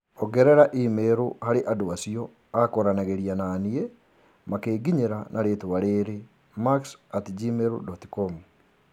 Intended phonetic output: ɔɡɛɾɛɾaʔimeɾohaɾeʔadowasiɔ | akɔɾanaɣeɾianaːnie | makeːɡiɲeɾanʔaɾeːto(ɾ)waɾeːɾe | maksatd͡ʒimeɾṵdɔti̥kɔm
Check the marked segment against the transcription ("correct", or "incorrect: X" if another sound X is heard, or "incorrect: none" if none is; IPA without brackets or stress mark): incorrect: none